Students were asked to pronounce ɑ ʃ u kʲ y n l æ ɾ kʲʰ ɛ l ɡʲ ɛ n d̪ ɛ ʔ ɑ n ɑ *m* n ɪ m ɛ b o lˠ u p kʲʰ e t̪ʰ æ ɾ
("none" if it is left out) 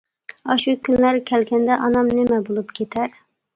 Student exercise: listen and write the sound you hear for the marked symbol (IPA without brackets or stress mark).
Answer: m